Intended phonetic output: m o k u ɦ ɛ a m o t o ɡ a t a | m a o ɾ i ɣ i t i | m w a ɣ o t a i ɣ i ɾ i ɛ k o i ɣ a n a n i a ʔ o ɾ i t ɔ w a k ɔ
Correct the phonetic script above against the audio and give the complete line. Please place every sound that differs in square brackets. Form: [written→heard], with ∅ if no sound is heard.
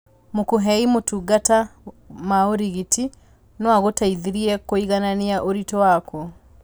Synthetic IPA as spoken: m o k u ɦ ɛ [a→i] m o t [o→u] ɡ a t a | m a o ɾ i ɣ i t i | [m→n] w a ɣ o t a i [ɣ→ð] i ɾ i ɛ k o i ɣ a n a n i a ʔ o ɾ i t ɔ w a k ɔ